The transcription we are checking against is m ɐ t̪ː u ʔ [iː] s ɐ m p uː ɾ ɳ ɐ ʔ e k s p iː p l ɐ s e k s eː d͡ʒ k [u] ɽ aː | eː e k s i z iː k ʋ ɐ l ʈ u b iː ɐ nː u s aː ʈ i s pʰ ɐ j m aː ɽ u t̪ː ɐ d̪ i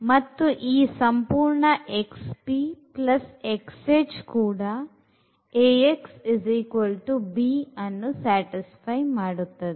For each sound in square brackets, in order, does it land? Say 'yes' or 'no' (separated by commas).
yes, no